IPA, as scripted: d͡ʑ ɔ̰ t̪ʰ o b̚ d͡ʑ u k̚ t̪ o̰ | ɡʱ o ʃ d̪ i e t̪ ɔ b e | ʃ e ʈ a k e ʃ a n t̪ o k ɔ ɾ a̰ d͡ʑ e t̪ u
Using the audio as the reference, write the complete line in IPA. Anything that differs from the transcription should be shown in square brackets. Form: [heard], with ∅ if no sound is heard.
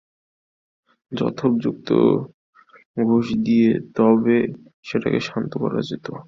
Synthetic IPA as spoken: d͡ʑ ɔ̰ t̪ʰ o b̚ d͡ʑ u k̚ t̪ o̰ | ɡʱ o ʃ d̪ i e t̪ ɔ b e | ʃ e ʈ a k e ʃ a n t̪ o k ɔ ɾ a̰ d͡ʑ e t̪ [o]